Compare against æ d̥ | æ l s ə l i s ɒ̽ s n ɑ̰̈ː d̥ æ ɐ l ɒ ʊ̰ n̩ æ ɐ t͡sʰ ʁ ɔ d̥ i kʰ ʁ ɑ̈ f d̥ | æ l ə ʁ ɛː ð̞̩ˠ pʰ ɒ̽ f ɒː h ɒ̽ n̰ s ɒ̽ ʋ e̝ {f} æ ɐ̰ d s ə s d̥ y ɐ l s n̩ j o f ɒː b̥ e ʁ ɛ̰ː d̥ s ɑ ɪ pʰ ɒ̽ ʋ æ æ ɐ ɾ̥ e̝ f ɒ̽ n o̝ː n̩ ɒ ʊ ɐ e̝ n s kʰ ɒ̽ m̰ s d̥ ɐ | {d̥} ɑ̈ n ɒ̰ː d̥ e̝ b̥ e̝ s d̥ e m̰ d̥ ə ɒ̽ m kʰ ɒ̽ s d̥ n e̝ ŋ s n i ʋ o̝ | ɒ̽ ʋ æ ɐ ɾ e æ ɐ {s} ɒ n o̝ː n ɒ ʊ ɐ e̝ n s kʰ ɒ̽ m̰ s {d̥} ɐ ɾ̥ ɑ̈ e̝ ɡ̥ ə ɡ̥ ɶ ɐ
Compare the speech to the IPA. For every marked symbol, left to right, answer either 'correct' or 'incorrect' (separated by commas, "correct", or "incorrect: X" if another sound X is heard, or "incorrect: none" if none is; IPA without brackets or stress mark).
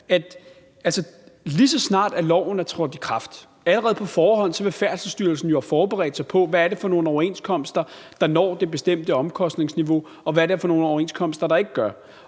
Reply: correct, correct, incorrect: f, correct